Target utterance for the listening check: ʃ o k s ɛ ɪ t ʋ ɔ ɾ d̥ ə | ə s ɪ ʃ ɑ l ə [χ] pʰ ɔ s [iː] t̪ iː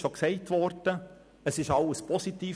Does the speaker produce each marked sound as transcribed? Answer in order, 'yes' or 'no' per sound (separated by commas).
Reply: no, no